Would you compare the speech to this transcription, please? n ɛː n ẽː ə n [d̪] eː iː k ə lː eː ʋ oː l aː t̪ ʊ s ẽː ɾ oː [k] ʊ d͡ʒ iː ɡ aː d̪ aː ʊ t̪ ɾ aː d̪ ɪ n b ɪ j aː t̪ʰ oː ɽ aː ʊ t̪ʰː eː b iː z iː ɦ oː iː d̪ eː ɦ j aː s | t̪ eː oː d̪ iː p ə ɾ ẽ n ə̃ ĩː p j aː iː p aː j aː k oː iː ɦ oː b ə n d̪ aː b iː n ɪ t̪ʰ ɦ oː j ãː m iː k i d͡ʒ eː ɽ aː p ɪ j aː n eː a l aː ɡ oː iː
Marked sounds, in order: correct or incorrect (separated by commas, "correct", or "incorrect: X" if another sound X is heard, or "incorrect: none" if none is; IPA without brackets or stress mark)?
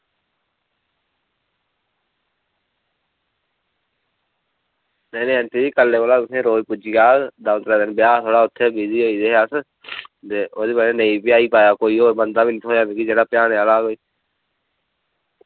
incorrect: t̪, incorrect: p